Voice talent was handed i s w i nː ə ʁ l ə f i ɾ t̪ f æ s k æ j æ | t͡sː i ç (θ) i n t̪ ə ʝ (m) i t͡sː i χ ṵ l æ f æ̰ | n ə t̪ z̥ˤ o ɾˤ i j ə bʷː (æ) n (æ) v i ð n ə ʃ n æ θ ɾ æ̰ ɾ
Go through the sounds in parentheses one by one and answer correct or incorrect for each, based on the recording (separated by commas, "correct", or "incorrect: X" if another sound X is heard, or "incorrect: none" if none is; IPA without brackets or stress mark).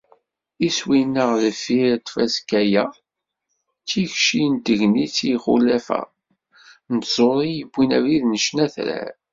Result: incorrect: ʃ, incorrect: n, incorrect: i, correct